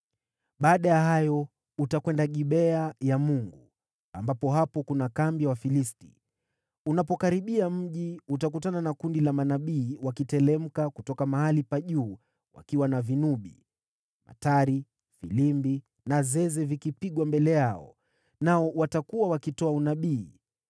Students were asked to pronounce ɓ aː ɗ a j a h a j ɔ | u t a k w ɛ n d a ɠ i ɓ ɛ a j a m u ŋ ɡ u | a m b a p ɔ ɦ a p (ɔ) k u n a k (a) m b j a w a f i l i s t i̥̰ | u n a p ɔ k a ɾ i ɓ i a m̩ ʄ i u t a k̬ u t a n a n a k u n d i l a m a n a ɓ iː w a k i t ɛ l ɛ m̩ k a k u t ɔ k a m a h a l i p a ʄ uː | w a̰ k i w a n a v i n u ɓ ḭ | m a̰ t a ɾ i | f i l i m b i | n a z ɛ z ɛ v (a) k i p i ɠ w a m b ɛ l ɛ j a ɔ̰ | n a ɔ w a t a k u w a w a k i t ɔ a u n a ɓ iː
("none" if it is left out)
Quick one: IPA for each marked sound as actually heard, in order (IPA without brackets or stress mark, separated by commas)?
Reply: ɔ, a, i